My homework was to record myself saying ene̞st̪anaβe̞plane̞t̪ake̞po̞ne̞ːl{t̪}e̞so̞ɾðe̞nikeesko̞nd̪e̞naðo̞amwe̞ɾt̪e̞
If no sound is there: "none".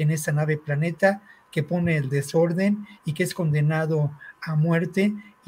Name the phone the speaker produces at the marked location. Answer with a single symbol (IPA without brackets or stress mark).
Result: d̪